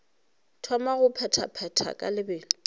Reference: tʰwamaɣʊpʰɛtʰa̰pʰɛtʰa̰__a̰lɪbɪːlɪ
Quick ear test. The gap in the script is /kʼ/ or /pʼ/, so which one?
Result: kʼ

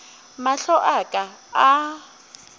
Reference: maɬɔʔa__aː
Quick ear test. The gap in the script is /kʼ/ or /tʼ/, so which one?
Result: kʼ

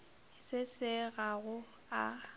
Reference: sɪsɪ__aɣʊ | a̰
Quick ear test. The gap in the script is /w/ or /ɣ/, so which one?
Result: ɣ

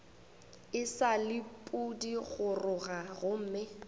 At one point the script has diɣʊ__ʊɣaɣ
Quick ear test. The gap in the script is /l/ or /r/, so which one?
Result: r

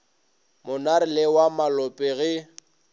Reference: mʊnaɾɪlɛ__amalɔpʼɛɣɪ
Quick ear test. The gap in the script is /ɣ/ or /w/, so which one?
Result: w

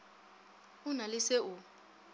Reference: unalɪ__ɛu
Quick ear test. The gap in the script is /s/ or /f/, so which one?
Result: s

